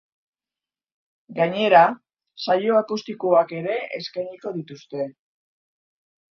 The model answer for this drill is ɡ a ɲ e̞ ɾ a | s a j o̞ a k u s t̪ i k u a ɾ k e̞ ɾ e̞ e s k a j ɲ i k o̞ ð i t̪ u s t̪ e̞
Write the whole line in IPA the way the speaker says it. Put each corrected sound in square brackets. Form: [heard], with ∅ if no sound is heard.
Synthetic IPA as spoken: ɡ a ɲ e̞ ɾ a | s a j o̞ a k u s t̪ i k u a [∅] k e̞ ɾ e̞ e s k a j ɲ i k o̞ ð i t̪ u s t̪ e̞